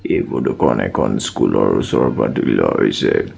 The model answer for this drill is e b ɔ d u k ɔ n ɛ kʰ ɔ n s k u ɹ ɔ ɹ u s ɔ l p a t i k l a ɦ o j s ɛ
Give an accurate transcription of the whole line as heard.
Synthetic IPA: e b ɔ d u k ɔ n ɛ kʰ ɔ n s k u l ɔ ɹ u s ɔ ɹ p a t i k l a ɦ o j s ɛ